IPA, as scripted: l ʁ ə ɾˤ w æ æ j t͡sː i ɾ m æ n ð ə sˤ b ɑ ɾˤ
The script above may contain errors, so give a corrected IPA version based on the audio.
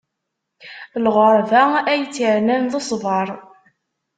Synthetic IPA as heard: l ʁ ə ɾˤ v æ æ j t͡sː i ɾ n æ n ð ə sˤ v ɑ ɾˤ

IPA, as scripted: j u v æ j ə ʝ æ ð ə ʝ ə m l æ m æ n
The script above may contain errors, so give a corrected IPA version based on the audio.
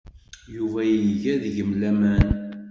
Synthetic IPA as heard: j u v æ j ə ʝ æ ð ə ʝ ə m l æ m æ n

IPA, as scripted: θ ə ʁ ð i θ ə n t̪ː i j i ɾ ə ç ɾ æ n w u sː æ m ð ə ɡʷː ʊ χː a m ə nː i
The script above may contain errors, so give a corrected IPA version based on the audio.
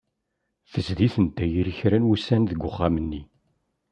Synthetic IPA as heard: θ ə z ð i θ ə n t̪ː æ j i ɾ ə ç ɾ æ n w u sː æ n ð ə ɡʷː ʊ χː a m ə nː i

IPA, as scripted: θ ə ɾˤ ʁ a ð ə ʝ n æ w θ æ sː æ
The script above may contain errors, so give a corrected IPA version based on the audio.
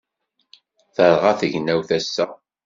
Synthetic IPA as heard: θ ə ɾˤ ʁ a θ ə ʝ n æ w θ æ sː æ

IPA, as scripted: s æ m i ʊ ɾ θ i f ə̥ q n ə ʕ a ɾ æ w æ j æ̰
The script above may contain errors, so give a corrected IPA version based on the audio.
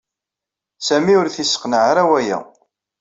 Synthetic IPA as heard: s æ m i ʊ ɾ θ i s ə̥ q n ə ʕ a ɾ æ w æ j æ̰

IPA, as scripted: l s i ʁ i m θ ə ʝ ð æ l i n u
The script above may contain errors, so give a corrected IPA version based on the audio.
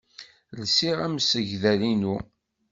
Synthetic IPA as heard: l s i ʁ æ m s ə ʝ ð æ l i n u

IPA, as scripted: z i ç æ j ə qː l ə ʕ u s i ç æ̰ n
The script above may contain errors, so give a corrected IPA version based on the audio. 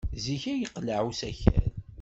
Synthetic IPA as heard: z i ç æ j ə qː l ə ʕ u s æ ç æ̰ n

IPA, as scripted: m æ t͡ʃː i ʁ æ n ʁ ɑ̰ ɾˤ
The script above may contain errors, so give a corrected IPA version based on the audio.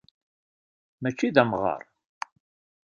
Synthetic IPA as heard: m æ t͡ʃː i ð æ m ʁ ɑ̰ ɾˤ

